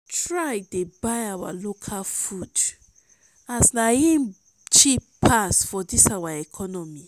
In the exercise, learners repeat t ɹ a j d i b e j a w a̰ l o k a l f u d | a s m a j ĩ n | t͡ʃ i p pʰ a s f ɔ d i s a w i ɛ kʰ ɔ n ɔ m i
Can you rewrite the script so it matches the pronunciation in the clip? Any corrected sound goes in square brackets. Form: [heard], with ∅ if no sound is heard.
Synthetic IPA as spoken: t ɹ a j d [e] b [a] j a w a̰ l o [kʰ] a l f u d | a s [n] a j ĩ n | t͡ʃ i p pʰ a s f ɔ d i s a w [a] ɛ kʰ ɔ n ɔ m i